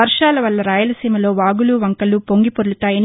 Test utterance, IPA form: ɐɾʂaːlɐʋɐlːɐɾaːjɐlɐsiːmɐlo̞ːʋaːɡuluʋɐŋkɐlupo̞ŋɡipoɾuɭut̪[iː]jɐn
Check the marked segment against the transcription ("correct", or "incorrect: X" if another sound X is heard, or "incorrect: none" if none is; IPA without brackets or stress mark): incorrect: aː